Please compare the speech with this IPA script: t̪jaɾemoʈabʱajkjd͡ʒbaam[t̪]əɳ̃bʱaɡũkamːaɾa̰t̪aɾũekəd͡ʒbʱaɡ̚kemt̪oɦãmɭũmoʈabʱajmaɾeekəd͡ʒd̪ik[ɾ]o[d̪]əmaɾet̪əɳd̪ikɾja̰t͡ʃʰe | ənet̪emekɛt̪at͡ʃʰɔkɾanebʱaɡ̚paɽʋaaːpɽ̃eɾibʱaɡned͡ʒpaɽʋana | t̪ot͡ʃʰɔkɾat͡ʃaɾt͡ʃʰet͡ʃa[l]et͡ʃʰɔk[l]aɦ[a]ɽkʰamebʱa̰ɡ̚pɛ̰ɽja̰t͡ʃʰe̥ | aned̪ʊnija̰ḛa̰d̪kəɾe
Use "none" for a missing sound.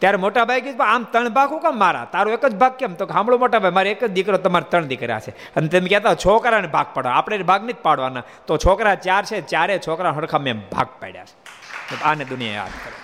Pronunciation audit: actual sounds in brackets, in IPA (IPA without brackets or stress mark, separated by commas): t̪, ɾ, t̪, ɾ, ɾ, ə